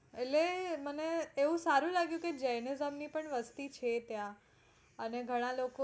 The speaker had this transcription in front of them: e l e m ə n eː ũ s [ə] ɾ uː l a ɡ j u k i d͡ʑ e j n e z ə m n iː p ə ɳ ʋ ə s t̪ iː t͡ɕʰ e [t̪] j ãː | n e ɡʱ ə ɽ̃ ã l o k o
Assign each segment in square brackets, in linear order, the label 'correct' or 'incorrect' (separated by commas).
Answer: incorrect, correct